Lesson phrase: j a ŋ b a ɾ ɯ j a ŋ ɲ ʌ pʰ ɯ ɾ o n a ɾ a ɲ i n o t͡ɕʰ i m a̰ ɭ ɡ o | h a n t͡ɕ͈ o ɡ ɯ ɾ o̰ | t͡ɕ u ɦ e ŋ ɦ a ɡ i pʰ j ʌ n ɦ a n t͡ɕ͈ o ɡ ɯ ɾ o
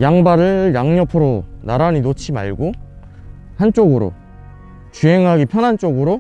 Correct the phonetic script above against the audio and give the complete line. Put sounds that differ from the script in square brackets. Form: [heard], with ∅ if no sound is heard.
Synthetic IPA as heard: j a ŋ b a ɾ ɯ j a ŋ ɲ ʌ pʰ ɯ ɾ o n a ɾ a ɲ i n o t͡ɕʰ i m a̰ ɭ ɡ o | h a n t͡ɕ͈ o ɡ ɯ ɾ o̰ | t͡ɕ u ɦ e ŋ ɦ a ɡ i pʰ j ʌ n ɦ a n t͡ɕ͈ o ɡ ɯ ɾ o